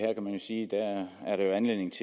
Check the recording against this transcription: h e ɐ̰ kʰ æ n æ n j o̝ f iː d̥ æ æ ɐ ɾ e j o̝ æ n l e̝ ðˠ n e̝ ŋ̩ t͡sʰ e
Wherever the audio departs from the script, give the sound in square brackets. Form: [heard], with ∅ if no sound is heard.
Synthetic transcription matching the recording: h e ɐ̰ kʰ æ [m] æ n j o̝ [s] iː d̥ æ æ ɐ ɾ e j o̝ æ n l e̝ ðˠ n e̝ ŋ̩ t͡sʰ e

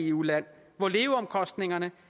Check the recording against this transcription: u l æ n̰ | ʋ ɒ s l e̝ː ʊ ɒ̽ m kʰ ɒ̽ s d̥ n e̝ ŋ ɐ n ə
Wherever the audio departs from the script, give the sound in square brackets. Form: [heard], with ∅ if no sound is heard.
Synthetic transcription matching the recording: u l æ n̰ | ʋ ɒ [∅] l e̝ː ʊ ɒ̽ m kʰ ɒ̽ s d̥ n e̝ ŋ ɐ n ə

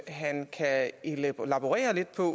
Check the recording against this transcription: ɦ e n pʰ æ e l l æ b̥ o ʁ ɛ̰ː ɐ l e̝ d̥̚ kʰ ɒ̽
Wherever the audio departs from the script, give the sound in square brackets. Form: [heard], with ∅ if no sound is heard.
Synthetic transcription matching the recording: ɦ [æ] n [kʰ] æ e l l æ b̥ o ʁ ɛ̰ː ɐ l e̝ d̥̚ [pʰ] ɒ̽

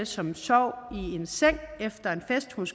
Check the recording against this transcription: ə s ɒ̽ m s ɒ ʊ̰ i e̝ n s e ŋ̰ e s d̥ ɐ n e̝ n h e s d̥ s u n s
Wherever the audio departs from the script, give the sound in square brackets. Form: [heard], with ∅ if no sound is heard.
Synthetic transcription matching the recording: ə s ɒ̽ m s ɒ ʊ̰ i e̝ n s e ŋ̰ e [f] d̥ ɐ [∅] e̝ n [f] e s d̥ [h] u n s

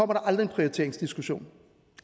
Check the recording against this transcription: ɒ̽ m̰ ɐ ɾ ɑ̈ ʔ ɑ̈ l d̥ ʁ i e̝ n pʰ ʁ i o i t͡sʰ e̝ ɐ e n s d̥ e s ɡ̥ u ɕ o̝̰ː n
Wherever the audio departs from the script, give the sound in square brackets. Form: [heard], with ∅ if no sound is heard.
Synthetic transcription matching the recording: ɒ̽ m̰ ɐ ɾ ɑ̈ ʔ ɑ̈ l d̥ ʁ i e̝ n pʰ ʁ i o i t͡sʰ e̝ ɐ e [ŋ] s d̥ [i] s ɡ̥ u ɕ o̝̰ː n

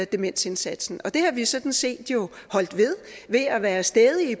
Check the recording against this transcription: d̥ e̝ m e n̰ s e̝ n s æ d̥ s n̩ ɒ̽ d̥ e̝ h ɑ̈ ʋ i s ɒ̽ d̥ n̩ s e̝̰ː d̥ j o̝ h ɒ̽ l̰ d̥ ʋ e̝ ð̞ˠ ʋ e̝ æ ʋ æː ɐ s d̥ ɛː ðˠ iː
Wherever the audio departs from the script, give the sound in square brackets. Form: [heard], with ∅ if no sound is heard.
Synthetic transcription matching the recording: d̥ e̝ m e n̰ s e̝ n s æ d̥ s n̩ ɒ̽ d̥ e̝ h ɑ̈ ʋ i s ɒ̽ d̥ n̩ s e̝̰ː d̥ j o̝ h ɒ̽ l̰ d̥ ʋ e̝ ð̞ˠ ʋ e̝ æ ʋ æː ɐ s d̥ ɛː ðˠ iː

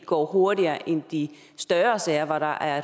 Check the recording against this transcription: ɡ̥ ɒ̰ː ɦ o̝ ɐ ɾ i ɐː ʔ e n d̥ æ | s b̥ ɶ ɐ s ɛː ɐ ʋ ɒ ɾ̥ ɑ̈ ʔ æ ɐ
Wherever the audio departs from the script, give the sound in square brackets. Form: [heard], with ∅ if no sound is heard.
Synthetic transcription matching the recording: ɡ̥ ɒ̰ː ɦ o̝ ɐ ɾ i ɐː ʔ e n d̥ [i] | s [d̥] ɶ ɐ s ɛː ɐ ʋ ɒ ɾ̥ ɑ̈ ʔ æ ɐ

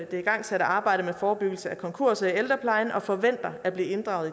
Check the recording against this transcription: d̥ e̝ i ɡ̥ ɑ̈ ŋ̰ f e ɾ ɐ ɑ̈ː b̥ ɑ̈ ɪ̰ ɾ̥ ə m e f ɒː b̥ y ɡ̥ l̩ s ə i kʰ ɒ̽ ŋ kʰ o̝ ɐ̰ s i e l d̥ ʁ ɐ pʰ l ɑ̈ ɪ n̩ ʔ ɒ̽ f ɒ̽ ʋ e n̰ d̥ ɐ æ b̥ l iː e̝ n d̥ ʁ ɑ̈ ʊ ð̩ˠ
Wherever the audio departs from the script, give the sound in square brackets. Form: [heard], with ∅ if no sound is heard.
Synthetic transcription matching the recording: d̥ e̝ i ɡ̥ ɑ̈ ŋ̰ [s] e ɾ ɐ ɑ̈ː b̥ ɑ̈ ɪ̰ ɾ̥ ə m e f ɒː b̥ y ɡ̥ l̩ s ə [æ] kʰ ɒ̽ ŋ kʰ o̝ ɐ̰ s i e l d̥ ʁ ɐ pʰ l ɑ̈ ɪ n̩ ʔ ɒ̽ f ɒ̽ ʋ e n̰ d̥ ɐ æ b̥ l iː e̝ n d̥ ʁ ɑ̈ ʊ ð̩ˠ

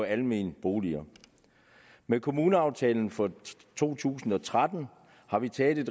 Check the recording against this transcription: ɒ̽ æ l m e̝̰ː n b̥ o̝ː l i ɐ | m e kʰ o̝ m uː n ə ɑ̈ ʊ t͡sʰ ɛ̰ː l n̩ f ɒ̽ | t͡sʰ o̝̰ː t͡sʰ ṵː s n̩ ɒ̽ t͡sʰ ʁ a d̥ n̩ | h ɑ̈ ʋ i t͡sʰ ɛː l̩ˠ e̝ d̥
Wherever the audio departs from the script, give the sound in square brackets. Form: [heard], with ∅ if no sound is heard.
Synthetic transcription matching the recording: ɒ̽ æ l m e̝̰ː n b̥ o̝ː l i ɐ | m e kʰ o̝ m uː n ə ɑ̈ ʊ t͡sʰ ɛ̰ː l n̩ f ɒ̽ | t͡sʰ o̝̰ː t͡sʰ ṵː s n̩ ɒ̽ t͡sʰ ʁ a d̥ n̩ | h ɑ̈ ʋ i t͡sʰ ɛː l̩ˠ e̝ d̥

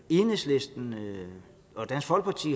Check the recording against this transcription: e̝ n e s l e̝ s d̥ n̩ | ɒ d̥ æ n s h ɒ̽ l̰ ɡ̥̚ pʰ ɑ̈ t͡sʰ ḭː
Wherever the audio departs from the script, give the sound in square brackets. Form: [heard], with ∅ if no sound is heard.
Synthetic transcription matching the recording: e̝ n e s l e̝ s d̥ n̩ | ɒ d̥ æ n s [f] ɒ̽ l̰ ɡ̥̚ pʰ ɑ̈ t͡sʰ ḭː

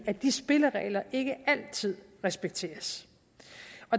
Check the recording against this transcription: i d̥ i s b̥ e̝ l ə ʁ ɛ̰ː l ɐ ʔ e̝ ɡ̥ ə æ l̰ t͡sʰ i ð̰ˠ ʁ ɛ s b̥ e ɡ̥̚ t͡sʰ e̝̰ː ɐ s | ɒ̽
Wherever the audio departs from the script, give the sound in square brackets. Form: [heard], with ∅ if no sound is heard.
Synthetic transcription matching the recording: [æ] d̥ i s b̥ e̝ l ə ʁ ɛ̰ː l ɐ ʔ e̝ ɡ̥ ə æ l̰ t͡sʰ i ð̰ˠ ʁ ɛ s b̥ e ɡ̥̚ t͡sʰ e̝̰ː ɐ s | ɒ̽

